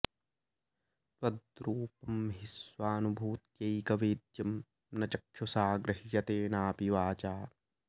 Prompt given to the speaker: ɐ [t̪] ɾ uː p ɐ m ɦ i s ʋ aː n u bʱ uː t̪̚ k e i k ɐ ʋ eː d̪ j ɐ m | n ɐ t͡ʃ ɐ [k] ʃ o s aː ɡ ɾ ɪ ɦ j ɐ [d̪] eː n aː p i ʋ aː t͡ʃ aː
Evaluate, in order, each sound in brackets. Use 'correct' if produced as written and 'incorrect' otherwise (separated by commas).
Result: incorrect, correct, incorrect